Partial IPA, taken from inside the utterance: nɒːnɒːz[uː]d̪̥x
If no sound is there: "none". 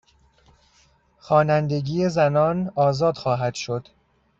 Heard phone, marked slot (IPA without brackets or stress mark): ɒː